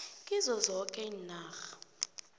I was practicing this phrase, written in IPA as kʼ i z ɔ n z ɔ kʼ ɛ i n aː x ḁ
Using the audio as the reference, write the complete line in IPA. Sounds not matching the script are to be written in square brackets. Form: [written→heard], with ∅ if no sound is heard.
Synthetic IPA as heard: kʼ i z ɔ [n→∅] z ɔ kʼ ɛ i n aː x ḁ